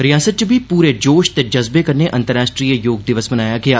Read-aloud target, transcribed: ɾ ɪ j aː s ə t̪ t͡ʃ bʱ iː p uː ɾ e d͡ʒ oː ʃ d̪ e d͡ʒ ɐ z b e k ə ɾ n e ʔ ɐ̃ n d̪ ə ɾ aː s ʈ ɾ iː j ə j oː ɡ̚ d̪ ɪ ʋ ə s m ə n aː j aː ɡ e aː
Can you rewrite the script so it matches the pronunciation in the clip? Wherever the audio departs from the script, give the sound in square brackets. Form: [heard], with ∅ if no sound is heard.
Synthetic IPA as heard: ɾ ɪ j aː s ə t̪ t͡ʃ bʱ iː p uː ɾ e d͡ʒ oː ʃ [t̪] e d͡ʒ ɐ z b e k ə ɾ n e ʔ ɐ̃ n [t̪] ə ɾ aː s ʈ ɾ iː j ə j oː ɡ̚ d̪ ɪ ʋ ə s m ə n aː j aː ɡ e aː